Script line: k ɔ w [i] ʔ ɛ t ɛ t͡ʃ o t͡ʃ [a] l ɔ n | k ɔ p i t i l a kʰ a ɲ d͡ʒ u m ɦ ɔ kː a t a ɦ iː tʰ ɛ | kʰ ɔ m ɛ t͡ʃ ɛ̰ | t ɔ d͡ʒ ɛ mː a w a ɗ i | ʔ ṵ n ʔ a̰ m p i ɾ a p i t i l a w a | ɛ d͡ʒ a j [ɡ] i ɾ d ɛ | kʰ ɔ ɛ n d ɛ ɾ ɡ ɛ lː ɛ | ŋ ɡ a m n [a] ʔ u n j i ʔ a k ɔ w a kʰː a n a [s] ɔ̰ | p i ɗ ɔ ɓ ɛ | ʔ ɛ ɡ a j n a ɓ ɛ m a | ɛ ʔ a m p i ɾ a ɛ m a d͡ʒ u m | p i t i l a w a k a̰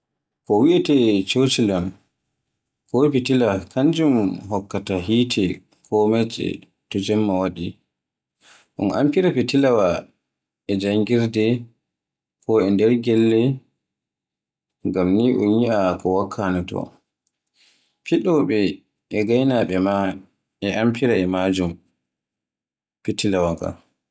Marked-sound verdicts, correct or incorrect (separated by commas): correct, incorrect, correct, incorrect, incorrect